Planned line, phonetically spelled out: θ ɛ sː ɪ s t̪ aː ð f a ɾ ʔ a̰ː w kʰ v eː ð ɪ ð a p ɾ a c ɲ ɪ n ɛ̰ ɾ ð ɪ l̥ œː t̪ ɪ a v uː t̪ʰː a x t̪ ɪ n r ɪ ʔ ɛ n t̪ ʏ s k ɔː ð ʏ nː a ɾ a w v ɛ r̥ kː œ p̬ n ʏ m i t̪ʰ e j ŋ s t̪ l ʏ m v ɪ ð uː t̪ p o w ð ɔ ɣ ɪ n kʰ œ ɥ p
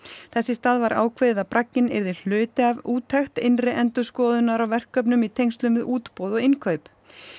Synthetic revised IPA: θ ɛ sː ɪ s t̪ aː ð v a ɾ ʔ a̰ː w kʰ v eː ð ɪ ð a p ɾ a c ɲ ɪ n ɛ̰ ɾ ð ɪ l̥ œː t̪ ɪ a v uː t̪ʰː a x t̪ ɪ n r ɪ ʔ ɛ n t̪ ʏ s k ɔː ð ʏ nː a ɾ a w v ɛ r̥ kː œ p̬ n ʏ m i t̪ʰ e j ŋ s t̪ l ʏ m v ɪ ð uː t̪ p o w ð ɔ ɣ ɪ n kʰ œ ɥ p